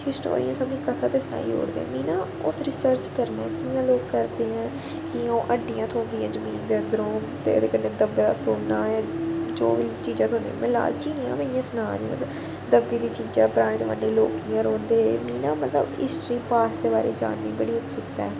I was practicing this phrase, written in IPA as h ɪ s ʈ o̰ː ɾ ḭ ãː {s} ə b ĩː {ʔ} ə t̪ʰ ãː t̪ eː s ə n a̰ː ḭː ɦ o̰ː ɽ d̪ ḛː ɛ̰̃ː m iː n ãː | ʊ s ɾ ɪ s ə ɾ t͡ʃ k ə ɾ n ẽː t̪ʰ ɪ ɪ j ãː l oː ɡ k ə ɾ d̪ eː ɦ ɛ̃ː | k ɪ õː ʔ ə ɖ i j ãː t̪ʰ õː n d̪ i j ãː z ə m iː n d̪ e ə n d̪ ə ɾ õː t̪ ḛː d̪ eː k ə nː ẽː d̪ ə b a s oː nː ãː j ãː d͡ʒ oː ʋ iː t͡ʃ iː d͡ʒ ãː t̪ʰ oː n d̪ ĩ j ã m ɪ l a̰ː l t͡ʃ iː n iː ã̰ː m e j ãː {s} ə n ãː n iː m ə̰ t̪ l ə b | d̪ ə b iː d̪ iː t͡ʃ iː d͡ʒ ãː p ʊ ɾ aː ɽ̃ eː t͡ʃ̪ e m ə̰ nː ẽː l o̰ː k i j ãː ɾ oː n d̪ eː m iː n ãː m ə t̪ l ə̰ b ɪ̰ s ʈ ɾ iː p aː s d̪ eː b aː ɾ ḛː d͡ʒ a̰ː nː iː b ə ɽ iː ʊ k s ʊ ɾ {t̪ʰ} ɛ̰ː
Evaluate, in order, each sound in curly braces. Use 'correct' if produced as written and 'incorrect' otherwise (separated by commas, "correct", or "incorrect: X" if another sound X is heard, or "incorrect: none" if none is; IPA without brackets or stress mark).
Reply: correct, incorrect: k, correct, incorrect: t̪